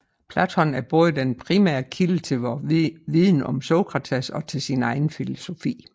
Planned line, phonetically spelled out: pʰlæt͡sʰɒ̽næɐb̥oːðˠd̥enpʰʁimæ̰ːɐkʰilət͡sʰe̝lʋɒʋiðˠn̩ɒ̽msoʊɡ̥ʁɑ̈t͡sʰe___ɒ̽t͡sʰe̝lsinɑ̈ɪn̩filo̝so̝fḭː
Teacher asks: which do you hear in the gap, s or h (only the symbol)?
s